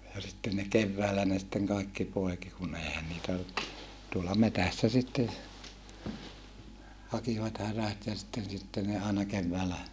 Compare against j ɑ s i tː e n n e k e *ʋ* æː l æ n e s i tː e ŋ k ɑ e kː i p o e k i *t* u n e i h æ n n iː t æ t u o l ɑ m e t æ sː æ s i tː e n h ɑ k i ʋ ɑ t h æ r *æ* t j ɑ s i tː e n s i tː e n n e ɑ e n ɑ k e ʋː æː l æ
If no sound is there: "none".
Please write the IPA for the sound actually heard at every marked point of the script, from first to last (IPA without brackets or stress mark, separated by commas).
ʋː, k, æ